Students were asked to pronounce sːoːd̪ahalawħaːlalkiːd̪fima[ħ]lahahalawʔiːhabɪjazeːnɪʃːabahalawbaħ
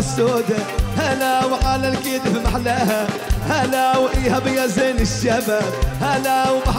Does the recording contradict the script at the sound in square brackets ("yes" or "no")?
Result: no